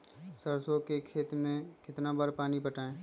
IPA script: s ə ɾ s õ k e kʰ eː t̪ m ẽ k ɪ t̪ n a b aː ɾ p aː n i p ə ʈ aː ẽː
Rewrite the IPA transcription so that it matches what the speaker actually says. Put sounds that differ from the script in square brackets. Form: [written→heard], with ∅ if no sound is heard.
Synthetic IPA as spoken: s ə ɾ s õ k e kʰ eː t̪ m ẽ k ɪ t̪ n a b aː ɾ p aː n i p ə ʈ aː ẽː